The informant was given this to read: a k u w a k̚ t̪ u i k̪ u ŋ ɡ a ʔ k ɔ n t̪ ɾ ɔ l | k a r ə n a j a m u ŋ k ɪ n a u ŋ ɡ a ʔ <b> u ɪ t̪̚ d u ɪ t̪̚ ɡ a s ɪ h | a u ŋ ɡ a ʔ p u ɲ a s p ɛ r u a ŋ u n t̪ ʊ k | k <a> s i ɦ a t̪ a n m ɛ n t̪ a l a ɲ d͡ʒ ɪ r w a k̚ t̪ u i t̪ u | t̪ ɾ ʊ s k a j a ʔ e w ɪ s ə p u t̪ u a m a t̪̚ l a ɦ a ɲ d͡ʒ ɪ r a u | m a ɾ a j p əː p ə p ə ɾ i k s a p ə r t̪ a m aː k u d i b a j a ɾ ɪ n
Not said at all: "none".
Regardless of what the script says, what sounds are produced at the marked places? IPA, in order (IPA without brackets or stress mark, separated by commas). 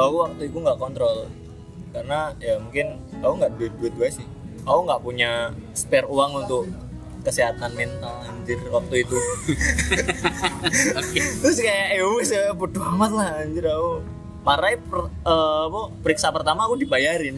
d, ə